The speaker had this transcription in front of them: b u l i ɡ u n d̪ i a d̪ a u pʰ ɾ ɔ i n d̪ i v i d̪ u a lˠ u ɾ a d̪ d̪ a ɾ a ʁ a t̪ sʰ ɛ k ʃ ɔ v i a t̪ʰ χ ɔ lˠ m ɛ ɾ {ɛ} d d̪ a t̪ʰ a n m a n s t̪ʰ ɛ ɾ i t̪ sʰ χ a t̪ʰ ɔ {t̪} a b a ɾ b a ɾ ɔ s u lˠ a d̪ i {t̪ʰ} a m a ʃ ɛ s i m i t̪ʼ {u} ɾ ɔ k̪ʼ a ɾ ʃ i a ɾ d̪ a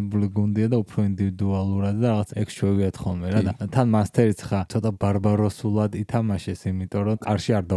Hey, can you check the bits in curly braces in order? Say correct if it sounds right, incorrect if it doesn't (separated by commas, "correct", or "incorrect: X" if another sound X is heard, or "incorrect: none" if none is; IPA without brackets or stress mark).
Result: incorrect: a, incorrect: t̪ʼ, correct, incorrect: ɔ